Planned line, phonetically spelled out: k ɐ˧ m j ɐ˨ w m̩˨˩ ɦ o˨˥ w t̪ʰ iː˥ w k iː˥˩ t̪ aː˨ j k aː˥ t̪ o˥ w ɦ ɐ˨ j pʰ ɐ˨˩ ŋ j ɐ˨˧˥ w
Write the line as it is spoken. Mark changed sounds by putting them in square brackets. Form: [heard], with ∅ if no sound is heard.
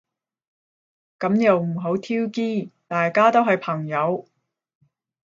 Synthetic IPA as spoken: k [ɐ˨˥] m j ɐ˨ w m̩˨˩ ɦ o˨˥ w t̪ʰ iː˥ w k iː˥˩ t̪ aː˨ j k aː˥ t̪ o˥ w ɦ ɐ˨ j pʰ ɐ˨˩ ŋ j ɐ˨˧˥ w